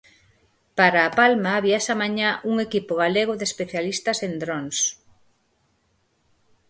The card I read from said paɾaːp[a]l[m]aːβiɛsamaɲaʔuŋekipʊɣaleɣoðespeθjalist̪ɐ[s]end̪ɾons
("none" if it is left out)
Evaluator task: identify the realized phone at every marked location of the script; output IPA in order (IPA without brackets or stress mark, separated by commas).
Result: a, m, s